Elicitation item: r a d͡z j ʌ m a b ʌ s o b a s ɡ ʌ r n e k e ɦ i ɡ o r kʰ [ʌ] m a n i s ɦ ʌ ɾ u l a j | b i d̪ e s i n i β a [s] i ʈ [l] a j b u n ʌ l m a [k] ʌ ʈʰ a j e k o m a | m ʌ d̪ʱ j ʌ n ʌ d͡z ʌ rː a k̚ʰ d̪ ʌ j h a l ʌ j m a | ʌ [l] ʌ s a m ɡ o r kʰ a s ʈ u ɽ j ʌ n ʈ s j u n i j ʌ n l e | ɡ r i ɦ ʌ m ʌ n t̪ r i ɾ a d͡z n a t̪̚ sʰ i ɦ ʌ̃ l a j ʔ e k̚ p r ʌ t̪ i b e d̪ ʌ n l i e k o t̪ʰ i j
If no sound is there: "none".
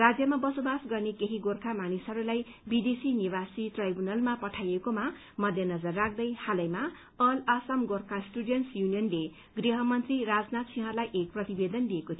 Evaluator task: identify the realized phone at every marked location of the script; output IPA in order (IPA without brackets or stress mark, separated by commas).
a, s, r, p, l